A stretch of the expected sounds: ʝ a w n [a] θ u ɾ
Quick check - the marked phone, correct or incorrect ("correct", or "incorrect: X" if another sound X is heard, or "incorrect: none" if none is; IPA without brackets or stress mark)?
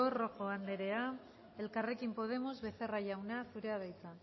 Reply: correct